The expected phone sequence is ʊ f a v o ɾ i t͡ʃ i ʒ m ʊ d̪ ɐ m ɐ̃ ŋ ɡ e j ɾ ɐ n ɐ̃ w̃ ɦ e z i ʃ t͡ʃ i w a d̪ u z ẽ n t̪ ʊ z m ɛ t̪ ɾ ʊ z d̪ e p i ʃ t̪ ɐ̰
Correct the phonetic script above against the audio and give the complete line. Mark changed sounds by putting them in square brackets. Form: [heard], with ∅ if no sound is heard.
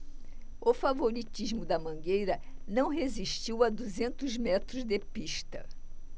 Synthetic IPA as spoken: ʊ f a v o ɾ i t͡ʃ i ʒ m ʊ d̪ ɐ m ɐ̃ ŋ ɡ e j ɾ ɐ n ɐ̃ w̃ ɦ e z i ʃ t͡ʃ i w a d̪ u z ẽ n t̪ ʊ z m ɛ t̪ ɾ ʊ z d̪ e p i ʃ t̪ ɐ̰